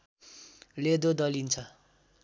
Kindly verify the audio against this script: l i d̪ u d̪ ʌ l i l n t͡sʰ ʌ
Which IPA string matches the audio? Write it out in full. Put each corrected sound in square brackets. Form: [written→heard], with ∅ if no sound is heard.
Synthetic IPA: l [i→e] d̪ [u→o] d̪ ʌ l i [l→∅] n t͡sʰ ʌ